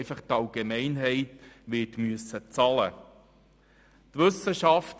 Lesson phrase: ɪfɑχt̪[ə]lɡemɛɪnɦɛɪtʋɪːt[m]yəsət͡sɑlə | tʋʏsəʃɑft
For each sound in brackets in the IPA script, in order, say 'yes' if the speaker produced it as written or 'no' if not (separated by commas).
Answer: no, yes